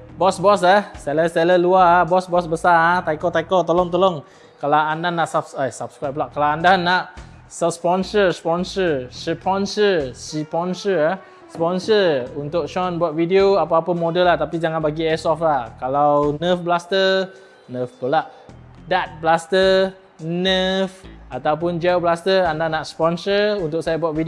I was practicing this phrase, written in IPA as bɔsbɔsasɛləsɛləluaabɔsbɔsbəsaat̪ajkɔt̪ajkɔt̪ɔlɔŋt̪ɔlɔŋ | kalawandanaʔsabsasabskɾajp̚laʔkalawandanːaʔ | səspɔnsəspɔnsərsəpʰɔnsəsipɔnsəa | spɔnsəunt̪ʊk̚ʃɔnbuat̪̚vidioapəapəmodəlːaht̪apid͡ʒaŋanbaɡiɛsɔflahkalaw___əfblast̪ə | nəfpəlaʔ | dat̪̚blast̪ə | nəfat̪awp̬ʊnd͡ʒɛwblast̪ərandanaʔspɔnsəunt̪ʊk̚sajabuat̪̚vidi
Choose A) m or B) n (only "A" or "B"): B